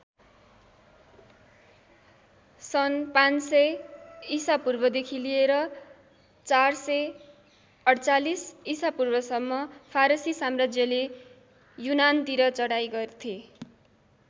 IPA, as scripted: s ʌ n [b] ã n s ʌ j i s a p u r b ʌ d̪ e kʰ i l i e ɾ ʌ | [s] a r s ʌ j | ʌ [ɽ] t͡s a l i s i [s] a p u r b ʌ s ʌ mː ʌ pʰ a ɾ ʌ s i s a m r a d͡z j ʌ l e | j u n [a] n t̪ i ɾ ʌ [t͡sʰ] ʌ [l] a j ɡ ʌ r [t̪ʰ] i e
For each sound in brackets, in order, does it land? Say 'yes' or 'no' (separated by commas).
no, no, yes, yes, yes, no, no, yes